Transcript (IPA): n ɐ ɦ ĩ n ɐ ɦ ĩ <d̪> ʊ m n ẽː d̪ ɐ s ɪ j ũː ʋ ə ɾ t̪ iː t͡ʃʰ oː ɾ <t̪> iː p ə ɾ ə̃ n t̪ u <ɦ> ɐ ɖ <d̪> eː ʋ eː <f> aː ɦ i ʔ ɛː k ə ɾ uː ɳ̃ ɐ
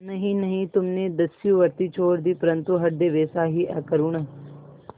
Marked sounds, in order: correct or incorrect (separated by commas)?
incorrect, incorrect, correct, correct, incorrect